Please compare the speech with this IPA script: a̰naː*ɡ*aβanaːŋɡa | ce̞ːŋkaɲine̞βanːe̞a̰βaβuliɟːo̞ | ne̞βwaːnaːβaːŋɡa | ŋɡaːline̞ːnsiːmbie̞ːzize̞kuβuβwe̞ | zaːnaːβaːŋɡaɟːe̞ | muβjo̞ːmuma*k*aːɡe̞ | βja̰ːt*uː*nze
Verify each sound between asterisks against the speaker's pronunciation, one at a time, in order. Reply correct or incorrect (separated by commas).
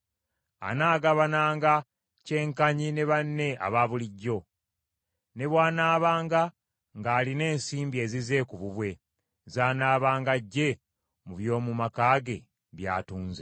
correct, correct, correct